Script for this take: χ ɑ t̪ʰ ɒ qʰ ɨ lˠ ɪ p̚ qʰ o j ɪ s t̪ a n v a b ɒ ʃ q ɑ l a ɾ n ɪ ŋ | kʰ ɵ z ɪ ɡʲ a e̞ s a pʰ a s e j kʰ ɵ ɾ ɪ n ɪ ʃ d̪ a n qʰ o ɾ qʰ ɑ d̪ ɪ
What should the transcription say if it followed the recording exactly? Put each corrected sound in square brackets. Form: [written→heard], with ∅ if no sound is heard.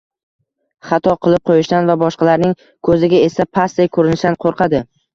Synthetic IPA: χ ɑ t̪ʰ ɒ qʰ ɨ lˠ ɪ p̚ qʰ o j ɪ [s→ʃ] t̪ a n v a b ɒ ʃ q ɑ l a ɾ n ɪ ŋ | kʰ ɵ z ɪ ɡʲ a e̞ s a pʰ a s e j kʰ ɵ ɾ ɪ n ɪ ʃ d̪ a n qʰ o ɾ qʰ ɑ d̪ ɪ